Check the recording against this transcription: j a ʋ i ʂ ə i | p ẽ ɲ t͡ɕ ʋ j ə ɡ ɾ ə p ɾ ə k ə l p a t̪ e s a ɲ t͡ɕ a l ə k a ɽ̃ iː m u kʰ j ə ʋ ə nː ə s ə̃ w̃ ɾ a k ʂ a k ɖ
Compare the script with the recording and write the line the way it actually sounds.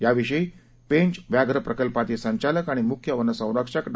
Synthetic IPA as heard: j a ʋ i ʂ ə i | p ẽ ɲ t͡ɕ ʋ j a ɡ ɾ ə p ɾ ə k ə l p a t̪ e s ə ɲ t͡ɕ a l ə k a ɽ̃ i m u kʰ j ə ʋ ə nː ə s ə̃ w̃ ɾ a k ʂ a k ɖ

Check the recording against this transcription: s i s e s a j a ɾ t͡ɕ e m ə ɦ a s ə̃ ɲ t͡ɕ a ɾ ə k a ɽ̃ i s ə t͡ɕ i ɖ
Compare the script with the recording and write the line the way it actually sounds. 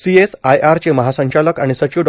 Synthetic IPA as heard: s i e s a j a ɾ t͡ɕ e m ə ɦ a s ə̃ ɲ t͡ɕ a l ə k a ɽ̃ i s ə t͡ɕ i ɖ

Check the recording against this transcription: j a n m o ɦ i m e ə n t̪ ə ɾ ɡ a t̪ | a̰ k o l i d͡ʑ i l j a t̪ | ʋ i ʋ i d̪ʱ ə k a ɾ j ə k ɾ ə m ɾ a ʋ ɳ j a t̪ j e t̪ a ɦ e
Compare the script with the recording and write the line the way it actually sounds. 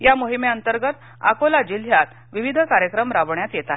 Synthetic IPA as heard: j a m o ɦ i m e ə n t̪ ə ɾ ɡ ə t̪ | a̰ k o l a d͡ʑ i l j a t̪ | ʋ i ʋ i d̪ʱ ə k a ɾ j ə k ɾ ə m ɾ a ʋ ɳ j a t̪ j e t̪ a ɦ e

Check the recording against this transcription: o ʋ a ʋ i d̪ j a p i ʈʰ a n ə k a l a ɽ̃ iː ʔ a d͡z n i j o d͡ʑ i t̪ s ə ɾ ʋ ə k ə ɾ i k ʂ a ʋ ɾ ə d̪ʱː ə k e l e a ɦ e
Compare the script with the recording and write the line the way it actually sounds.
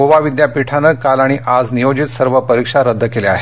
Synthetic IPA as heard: o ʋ a ʋ i d̪ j a p i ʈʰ a n ə k a l a ɽ̃ i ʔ a d͡z n i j o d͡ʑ i t̪ s ə ɾ ʋ ə p ə ɾ i k ʂ a ɾ ə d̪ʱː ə k e l e a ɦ e

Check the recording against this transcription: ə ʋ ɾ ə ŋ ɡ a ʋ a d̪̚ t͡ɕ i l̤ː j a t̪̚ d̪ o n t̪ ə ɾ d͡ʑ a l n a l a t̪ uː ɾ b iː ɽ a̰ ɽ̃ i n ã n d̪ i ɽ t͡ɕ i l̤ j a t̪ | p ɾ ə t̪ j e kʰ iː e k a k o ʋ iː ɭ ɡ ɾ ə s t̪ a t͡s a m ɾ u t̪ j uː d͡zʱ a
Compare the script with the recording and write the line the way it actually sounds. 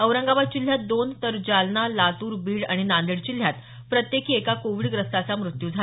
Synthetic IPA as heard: ə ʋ ɾ ə ŋ ɡ a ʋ a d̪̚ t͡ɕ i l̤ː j a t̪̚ d̪ o n t̪ ə ɾ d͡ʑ a l n a l a t̪ uː ɾ b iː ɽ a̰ ɽ̃ i n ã n d̪ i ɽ t͡ɕ i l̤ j a t̪ | p ɾ ə t̪ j e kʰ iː e k a k o ʋ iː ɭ ɡ ɾ ə s t̪ a t͡s a m ɾ u t̪ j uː d͡zʱ a

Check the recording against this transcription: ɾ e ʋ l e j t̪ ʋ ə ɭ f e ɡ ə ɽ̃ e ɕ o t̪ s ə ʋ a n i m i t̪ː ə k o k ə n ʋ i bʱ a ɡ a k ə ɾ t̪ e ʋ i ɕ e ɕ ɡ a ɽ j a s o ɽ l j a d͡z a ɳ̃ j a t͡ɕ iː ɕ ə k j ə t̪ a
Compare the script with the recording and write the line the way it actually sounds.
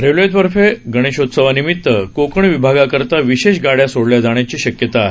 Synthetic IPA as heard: ɾ e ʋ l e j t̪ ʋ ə ɾ f e ɡ ə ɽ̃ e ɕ o t̪ s ə ʋ a n i m i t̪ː ə k o k ə ɳ ʋ i bʱ a ɡ a k ə ɾ t̪ a ʋ i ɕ e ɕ ɡ a ɽ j a s o ɽ l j a d͡z a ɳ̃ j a t͡ɕ iː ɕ ə k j ə t̪ a

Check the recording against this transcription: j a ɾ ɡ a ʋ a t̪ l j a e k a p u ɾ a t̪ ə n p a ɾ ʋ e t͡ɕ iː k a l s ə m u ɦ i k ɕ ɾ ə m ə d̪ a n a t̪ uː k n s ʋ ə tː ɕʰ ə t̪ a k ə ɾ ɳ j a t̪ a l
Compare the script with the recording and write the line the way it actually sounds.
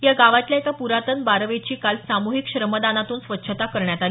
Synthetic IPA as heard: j a ɡ a ʋ a t̪ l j a e k a p u ɾ a t̪ ə n b a ɾ ʋ e t͡ɕ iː k a l s a m u ɦ i k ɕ ɾ ə m ə d̪ a n a t̪ uː n s ʋ ə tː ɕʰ ə t̪ a k ə ɾ ɳ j a t̪ a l

